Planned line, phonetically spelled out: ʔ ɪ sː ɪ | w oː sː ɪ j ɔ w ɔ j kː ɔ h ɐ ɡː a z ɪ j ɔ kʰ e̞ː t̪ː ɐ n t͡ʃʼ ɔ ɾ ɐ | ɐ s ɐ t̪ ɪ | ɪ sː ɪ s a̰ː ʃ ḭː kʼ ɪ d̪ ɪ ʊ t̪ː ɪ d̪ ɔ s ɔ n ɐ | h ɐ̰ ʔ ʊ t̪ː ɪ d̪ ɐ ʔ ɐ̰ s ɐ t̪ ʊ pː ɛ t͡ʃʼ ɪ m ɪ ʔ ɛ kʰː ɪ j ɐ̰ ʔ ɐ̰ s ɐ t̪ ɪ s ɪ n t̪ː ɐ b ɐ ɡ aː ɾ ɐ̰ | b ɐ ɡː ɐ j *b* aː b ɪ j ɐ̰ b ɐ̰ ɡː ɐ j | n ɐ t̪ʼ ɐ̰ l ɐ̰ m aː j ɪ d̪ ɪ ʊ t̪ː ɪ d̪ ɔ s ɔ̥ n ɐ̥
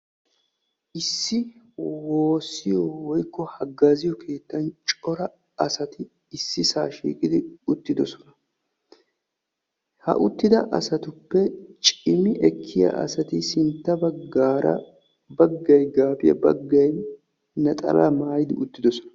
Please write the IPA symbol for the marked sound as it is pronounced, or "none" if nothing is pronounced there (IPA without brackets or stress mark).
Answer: ɡ